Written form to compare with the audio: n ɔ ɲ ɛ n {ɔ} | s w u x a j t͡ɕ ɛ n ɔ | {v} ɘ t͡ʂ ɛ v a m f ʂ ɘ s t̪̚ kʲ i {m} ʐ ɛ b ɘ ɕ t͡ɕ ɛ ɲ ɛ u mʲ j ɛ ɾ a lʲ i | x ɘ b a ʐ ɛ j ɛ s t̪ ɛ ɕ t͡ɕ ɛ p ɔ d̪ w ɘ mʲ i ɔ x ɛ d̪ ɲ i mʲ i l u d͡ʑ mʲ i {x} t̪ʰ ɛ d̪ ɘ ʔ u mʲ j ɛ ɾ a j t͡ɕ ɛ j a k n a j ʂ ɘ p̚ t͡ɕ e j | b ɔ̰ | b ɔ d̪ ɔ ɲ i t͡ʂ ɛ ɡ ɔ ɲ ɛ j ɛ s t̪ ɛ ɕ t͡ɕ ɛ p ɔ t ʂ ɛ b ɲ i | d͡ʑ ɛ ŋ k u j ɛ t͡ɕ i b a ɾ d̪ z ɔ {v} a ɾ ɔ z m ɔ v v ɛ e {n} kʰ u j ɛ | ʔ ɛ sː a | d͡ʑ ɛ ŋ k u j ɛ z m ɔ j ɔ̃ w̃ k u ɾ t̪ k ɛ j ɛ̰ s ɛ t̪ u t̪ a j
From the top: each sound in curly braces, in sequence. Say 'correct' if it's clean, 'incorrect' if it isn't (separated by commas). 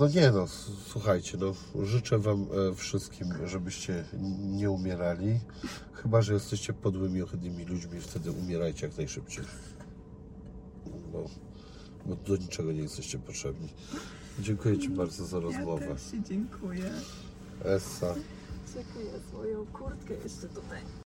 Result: correct, incorrect, correct, incorrect, incorrect, incorrect